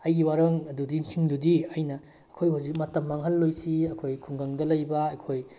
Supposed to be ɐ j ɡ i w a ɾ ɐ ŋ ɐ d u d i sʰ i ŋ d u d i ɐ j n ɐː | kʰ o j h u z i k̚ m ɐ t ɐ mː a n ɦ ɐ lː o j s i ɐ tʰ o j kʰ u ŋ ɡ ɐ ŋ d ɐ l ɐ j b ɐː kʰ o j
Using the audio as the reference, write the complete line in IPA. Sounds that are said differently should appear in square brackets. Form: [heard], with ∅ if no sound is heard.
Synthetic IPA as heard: ɐ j ɡ i w a ɾ ɐ ŋ ɐ d u d i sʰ i ŋ d u d i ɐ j n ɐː | kʰ o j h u z i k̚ m ɐ t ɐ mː a [ŋ] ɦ ɐ lː o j s i ɐ [kʰ] o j kʰ u ŋ ɡ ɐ ŋ d ɐ l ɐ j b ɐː kʰ o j